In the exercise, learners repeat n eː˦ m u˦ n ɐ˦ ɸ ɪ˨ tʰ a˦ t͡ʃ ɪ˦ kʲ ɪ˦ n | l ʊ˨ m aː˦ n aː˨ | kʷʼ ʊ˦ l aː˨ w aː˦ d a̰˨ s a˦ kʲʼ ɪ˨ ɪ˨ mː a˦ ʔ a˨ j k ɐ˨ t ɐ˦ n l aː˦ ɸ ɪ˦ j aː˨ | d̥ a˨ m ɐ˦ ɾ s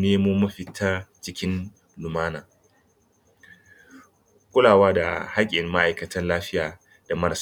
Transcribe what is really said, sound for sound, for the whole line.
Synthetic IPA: n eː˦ m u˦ m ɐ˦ ɸ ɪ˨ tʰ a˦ t͡ʃ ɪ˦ kʲ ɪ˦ n | l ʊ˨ m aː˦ n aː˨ | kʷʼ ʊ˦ l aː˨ w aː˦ d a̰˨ h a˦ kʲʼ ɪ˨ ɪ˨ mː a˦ ʔ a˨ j k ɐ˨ t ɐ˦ n l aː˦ ɸ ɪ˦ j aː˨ | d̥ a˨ m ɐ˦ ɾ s